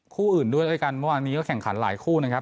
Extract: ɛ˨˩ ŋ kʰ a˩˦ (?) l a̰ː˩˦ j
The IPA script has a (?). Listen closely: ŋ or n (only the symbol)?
n